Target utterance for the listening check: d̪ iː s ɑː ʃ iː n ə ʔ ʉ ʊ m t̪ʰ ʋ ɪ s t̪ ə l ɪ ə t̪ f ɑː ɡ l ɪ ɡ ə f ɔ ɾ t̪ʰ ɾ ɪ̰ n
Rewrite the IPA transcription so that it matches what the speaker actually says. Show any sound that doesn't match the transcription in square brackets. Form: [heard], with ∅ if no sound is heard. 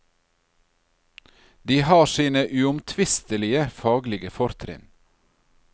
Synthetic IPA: d̪ iː [h] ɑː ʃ iː n ə ʔ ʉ ʊ m t̪ʰ ʋ ɪ s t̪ ə l ɪ ə [∅] f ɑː ɡ l ɪ ɡ ə f ɔ ɾ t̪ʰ ɾ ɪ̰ n